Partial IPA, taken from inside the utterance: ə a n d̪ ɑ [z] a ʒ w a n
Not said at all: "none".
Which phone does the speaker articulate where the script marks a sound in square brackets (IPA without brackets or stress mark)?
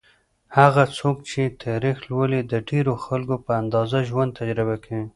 z